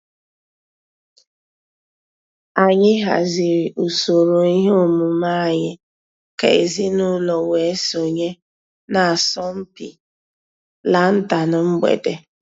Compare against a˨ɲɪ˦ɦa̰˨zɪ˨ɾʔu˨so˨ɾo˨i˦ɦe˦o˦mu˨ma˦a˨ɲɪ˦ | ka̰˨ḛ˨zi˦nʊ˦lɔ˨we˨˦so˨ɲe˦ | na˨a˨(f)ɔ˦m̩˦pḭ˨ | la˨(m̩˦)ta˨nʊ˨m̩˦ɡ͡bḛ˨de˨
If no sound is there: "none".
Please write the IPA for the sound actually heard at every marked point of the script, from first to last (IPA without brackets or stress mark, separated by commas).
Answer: s, n̩˦